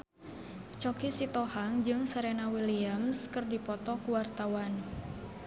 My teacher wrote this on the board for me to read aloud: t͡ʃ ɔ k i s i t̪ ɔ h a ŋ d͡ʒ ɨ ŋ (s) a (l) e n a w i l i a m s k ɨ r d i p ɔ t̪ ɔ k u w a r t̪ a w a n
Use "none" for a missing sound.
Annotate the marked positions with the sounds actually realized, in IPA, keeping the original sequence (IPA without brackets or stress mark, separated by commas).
s, ɾ